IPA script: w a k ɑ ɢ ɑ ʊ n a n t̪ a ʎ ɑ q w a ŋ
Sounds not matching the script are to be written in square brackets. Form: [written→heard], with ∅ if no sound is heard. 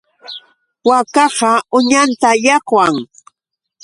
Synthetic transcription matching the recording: w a k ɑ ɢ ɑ ʊ [n→ɲ] a n t̪ a [ʎ→j] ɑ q w a ŋ